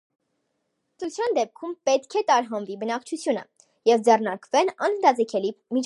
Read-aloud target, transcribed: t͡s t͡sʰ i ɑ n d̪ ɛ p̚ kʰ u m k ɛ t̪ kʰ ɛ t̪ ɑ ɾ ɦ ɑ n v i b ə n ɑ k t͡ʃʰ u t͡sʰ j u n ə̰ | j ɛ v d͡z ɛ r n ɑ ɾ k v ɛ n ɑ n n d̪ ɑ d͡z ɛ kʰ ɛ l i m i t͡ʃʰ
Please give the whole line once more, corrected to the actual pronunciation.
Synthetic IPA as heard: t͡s t͡sʰ j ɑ n d̪ ɛ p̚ kʰ u m p ɛ t̪ kʰ ɛ t̪ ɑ ɾ ɦ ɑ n v i b ə n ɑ k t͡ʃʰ u t͡sʰ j u n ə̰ | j ɛ v d͡z ɛ r n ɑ ɾ k v ɛ n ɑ n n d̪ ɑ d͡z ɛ kʰ ɛ l i m i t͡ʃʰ